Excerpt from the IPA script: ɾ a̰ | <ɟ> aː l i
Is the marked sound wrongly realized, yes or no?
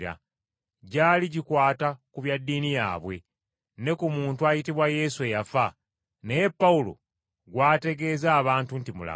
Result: no